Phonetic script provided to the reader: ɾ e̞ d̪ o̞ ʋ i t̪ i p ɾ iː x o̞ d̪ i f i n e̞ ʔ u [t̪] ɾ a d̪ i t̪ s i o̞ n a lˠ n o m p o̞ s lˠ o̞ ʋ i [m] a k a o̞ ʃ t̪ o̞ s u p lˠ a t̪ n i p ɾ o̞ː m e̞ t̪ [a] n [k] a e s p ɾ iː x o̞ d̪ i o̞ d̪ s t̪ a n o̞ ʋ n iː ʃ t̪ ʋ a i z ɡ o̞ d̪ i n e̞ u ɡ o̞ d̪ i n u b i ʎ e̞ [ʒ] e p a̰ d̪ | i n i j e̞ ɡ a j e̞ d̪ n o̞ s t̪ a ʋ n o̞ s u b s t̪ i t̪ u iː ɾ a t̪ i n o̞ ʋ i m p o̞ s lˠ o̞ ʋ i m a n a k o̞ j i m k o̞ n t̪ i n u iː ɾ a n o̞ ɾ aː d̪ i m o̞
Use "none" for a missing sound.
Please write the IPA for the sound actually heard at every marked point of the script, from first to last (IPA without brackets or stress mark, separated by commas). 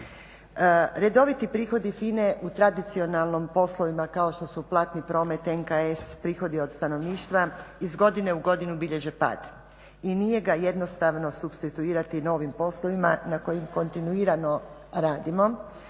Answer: t̪, m, e, k, ʒ